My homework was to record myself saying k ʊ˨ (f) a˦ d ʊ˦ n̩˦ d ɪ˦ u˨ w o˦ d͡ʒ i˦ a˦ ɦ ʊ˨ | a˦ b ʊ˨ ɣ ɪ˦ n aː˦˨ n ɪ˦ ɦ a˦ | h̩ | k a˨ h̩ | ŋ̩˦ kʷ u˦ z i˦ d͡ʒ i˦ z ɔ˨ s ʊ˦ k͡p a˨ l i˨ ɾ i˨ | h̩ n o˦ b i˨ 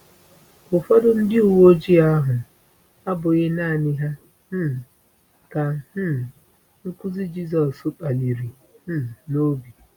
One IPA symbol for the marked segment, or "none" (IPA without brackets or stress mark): f